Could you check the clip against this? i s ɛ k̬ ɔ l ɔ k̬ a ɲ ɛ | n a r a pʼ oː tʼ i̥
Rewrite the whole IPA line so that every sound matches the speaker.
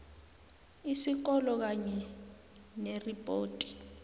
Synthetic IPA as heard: i s i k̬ ɔ l ɔ k̬ a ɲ ɛ | n e r i pʼ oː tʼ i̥